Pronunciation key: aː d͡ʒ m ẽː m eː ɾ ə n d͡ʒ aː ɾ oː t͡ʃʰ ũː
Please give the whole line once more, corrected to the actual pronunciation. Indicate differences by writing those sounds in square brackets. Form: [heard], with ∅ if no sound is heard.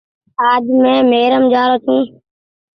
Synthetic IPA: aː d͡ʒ m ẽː m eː ɾ ə [m] d͡ʒ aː ɾ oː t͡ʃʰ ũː